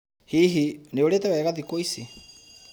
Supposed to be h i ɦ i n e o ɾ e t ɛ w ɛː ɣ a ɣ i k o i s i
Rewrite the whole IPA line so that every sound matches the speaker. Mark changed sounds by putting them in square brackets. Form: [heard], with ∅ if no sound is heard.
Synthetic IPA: h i ɦ i n e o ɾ e t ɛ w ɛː ɣ a [ð] i k o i s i